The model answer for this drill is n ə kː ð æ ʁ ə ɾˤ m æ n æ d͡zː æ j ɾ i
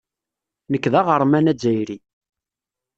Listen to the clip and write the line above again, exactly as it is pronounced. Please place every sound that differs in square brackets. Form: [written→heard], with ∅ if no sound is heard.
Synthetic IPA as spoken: n ə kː ð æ ʁ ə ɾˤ m æ n æ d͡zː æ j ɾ i